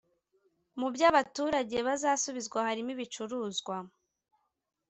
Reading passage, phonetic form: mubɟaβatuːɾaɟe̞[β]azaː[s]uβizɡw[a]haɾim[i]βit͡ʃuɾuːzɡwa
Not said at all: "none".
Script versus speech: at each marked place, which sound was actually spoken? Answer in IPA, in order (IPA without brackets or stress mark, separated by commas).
β, s, a, i